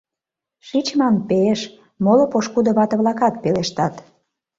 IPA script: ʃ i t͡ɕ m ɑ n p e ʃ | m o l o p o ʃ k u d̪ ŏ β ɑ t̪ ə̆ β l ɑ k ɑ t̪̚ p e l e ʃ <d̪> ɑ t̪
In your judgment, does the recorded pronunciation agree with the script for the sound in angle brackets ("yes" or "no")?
no